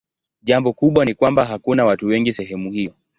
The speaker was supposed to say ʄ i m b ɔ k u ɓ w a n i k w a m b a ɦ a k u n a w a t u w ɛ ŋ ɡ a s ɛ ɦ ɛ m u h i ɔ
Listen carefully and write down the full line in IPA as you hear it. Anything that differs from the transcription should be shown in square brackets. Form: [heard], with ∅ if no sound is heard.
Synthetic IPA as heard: ʄ [a] m b ɔ k u ɓ w a n i k w a m b a ɦ a k u n a w a t u w ɛ ŋ ɡ [i] s ɛ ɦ ɛ m u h i ɔ